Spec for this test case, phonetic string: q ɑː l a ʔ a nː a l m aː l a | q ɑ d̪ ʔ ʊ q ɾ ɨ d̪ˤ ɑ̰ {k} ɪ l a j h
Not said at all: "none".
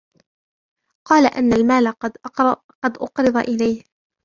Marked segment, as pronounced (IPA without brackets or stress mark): ʔ